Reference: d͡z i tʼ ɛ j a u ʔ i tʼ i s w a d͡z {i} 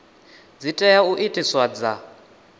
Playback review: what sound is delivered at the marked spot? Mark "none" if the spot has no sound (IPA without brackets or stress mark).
a